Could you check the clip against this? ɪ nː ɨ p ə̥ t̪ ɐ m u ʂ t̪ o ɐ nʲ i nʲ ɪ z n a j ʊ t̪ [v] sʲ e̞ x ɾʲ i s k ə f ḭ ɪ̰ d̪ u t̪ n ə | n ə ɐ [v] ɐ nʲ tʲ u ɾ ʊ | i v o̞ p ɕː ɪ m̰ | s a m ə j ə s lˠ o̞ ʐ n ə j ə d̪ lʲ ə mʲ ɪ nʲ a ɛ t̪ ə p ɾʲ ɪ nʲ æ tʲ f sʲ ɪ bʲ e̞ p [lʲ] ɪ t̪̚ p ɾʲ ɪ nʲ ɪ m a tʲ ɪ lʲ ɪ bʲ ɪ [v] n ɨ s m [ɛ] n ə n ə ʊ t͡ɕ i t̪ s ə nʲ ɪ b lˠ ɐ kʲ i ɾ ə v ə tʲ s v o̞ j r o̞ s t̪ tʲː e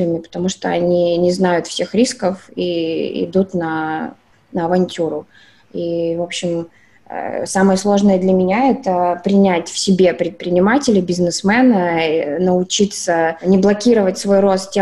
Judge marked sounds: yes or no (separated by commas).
no, yes, no, no, yes